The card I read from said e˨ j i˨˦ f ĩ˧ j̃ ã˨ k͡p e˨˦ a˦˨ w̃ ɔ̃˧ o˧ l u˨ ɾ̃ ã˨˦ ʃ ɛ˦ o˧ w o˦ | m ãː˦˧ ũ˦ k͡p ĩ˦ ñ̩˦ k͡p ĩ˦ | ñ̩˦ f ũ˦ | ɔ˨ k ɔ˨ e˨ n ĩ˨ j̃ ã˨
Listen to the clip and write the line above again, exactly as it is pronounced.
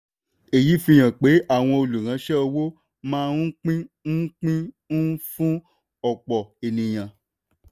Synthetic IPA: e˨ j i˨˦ f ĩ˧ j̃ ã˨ k͡p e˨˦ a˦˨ w̃ ɔ̃˧ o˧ l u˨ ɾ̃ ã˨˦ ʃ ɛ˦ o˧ w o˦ | m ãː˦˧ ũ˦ k͡p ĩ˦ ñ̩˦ k͡p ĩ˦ | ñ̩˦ f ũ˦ | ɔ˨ k͡p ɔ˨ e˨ n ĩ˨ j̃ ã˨